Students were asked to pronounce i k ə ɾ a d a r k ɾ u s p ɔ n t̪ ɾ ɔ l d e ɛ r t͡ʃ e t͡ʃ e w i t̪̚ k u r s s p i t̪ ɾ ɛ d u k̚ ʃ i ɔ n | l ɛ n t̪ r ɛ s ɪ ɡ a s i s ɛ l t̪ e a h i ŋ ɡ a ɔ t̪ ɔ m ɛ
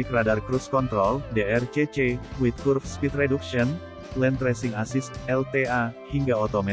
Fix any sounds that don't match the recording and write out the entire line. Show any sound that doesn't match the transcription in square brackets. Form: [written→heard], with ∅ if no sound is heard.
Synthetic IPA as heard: i k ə ɾ a d a r k ɾ u s [p→k] ɔ n t̪ ɾ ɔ l d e ɛ r t͡ʃ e t͡ʃ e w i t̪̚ k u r [s→f] s p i t̪ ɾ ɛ d u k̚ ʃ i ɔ n | l ɛ n t̪ [r→ɾ] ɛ s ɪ [ɡ→ŋ] a s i s ɛ l t̪ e a h i ŋ ɡ a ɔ t̪ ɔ m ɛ